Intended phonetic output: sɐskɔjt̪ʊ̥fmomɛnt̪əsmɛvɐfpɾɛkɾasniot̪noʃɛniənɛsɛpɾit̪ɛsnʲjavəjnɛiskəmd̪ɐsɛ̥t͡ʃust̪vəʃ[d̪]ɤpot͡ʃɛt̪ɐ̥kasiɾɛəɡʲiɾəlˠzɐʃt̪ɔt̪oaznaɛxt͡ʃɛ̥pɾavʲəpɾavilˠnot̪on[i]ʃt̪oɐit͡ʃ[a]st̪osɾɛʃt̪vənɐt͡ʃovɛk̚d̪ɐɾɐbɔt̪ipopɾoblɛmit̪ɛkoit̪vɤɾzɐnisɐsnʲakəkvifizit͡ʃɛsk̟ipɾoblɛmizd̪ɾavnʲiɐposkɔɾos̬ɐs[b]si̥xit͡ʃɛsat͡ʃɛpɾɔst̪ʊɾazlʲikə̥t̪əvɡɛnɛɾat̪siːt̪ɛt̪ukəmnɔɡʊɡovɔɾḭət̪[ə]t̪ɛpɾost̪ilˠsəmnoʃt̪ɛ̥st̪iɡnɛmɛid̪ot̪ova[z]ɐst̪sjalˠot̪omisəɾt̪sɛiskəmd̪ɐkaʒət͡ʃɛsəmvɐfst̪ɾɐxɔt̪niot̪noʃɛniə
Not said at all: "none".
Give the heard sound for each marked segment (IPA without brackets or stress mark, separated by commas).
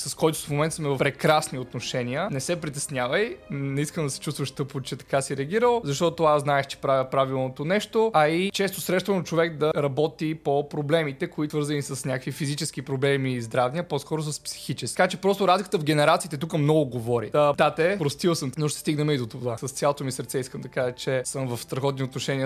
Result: t̪, ɛ, ɛ, p, a, s